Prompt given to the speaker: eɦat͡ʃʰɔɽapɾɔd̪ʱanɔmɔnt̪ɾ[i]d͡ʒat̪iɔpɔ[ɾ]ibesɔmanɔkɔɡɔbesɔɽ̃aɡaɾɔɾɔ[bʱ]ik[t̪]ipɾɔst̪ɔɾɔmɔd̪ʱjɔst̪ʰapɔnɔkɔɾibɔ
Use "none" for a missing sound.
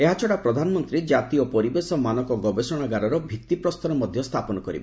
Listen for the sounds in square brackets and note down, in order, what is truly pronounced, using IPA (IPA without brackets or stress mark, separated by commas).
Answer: i, ɾ, bʱ, t̪